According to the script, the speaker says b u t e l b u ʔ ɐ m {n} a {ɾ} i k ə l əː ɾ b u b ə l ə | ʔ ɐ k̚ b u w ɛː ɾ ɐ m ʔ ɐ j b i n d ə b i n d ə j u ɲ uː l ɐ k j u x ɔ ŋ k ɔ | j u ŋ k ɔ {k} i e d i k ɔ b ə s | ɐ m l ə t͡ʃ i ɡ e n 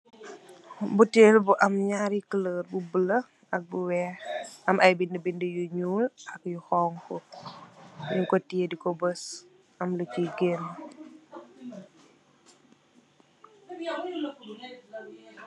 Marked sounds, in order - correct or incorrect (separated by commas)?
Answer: incorrect, correct, incorrect